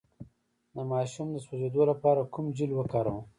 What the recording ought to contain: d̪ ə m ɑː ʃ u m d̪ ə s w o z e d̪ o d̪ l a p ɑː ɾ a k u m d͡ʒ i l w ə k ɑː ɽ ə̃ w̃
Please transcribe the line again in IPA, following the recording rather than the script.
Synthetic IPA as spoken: d̪ ə m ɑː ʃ u m d̪ ə s w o z e d̪ o l a p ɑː ɾ a k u m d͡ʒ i l w ə k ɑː ɾ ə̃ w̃

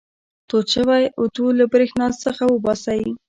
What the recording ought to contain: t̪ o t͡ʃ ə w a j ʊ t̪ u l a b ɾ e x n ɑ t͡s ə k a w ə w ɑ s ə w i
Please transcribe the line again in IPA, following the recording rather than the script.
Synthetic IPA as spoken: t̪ o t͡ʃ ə w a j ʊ t̪ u l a b ɾ e x n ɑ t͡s ə x a w ə b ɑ s a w i

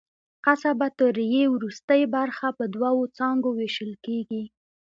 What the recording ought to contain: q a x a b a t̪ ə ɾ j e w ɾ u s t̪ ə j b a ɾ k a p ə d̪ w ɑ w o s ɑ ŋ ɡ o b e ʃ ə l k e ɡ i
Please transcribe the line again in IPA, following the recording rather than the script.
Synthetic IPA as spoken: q a s a b a t̪ ə ɾ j e w ɾ u s t̪ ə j b a ɾ x a p ə d̪ w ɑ w o t͡s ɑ ŋ ɡ o w e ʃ ə l k e ɡ i

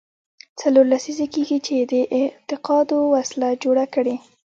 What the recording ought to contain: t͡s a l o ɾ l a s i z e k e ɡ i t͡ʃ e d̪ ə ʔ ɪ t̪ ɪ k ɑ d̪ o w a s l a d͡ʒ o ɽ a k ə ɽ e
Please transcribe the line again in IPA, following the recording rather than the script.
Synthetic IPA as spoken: t͡s a l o ɾ l a s i z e k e ɡ i t͡ʃ e d̪ ə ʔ ɪ t̪ ɪ q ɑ d̪ o w a s l a d͡ʒ o ɽ a k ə ɽ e

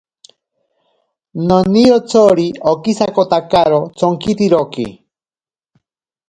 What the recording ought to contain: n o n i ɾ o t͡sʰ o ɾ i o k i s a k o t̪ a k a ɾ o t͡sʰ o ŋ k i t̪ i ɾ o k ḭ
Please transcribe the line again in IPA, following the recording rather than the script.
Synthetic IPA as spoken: n o n i ɾ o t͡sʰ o ɾ i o k i s a k o t̪ a k a ɾ o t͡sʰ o ŋ k i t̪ i ɾ o k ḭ

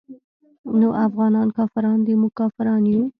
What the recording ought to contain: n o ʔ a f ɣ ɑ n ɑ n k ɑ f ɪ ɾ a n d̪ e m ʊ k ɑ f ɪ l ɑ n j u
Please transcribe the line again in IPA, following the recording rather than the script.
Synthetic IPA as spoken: n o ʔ a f ɣ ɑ n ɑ n k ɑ f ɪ ɾ ɑ n d̪ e m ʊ k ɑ f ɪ ɾ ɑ n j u

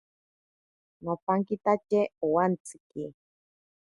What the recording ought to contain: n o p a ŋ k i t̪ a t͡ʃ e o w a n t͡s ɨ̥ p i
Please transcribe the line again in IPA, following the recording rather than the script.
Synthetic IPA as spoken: n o p a ŋ k i t̪ a t͡ʃ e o w a n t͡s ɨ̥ k i

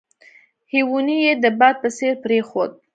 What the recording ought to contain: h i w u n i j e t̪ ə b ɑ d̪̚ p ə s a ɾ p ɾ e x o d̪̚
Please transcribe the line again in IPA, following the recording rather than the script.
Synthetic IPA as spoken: h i w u n i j e d̪ ə b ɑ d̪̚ p ə s e ɾ p ɾ e x o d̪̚

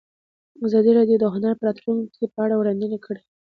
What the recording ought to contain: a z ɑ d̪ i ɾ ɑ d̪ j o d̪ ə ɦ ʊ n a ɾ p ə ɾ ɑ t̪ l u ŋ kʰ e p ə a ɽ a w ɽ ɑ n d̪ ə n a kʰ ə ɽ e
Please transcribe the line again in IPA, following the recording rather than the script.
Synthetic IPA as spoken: a z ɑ d̪ i ɾ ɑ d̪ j o d̪ ə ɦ ʊ n a ɾ p ə ɾ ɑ t̪ l u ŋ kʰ e p ə a ɽ a w ɽ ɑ n d̪ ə n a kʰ ə ɽ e

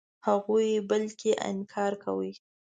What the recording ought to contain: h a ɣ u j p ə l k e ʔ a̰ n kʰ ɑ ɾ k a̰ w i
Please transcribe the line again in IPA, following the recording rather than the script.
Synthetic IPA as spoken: h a ɣ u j b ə l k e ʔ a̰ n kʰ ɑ ɾ k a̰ w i

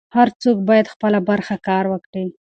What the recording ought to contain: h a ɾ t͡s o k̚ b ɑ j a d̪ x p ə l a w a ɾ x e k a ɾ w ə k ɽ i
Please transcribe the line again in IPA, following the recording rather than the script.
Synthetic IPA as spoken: h a ɾ t͡s o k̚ b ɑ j a d̪ x p ə l a b a ɾ x a k ɑ ɾ w ə k ɽ i

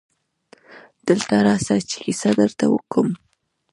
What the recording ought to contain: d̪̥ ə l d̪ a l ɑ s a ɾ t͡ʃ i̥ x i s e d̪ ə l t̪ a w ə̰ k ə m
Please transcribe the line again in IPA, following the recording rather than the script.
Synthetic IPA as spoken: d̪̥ ə l t̪ a ɾ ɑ s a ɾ t͡ʃ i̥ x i s a d̪ ə ɾ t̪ a w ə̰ k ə m

